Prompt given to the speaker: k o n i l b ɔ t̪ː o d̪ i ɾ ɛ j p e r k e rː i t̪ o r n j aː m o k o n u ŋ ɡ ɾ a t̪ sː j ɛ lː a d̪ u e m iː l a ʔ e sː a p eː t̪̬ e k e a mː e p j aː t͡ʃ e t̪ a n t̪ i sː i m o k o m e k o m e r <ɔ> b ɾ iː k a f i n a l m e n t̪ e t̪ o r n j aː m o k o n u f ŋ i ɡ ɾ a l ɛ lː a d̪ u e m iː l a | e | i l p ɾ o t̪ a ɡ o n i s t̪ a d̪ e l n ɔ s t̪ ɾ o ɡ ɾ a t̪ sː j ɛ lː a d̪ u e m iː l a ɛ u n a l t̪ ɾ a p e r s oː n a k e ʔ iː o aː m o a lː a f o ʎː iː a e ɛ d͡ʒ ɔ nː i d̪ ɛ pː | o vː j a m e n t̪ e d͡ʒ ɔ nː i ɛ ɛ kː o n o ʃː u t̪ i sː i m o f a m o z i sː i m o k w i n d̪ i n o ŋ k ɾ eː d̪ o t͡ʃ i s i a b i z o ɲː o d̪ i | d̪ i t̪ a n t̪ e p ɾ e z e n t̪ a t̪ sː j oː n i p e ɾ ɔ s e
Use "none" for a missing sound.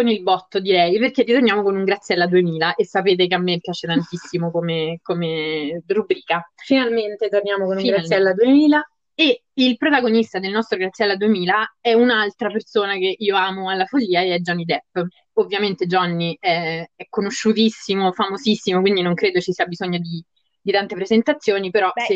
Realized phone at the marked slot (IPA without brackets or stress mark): u